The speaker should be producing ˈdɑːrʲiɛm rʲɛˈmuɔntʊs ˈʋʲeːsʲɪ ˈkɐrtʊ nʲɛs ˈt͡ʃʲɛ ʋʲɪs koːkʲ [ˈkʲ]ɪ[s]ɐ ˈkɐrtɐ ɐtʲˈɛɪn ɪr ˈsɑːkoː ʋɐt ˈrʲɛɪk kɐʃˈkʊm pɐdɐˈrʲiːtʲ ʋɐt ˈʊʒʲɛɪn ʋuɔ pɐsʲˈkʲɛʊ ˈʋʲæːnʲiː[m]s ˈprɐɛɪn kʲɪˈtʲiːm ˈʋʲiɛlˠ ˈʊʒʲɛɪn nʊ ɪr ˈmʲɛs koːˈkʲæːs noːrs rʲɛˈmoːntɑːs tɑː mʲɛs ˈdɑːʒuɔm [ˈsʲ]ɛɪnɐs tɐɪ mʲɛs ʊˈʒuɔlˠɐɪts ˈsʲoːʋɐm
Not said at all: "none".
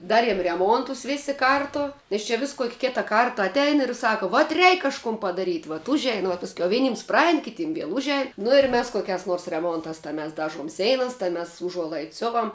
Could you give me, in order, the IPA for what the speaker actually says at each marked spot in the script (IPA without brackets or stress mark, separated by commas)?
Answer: kʲ, t, m, sʲ